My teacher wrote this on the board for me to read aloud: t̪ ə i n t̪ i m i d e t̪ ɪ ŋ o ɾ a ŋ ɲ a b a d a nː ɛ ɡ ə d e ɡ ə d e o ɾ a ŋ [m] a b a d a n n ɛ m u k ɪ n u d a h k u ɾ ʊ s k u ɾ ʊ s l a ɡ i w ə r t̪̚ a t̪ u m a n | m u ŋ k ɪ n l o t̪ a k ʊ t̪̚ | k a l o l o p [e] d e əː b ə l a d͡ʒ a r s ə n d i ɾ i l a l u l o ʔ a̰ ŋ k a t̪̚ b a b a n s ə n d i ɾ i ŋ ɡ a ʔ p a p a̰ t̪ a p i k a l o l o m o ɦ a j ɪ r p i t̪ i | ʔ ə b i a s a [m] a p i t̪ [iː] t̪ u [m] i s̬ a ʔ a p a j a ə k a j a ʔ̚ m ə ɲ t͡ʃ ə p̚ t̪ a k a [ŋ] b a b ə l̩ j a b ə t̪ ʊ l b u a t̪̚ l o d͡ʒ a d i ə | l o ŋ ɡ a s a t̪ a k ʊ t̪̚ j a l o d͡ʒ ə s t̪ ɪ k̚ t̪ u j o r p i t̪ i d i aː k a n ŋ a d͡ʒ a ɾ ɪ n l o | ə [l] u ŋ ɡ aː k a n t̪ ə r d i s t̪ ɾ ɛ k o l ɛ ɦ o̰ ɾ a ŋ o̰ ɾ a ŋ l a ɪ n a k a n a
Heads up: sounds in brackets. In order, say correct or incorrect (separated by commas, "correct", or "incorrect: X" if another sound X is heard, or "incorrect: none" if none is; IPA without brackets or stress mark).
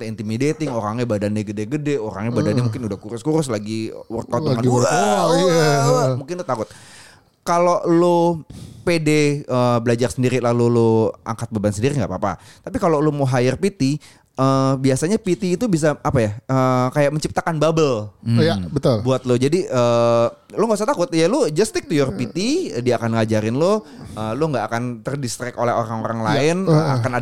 incorrect: ɲ, correct, incorrect: ɲ, correct, incorrect: b, incorrect: n, correct